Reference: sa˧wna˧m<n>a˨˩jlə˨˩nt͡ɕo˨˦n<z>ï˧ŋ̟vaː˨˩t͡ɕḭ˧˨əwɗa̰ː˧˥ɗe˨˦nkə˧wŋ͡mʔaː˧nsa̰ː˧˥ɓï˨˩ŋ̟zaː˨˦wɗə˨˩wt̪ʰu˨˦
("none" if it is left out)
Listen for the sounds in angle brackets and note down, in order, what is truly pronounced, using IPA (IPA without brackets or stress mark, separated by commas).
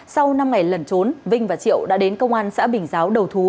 ŋ, v